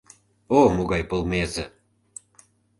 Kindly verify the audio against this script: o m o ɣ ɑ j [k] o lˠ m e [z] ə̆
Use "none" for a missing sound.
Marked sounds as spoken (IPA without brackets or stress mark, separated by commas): p, z